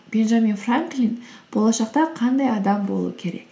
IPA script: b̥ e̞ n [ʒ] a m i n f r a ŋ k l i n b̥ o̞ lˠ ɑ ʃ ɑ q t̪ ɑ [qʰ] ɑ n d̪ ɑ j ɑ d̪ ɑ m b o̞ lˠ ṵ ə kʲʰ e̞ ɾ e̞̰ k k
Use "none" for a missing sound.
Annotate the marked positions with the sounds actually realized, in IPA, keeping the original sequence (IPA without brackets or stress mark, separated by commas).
ʒ, qʰ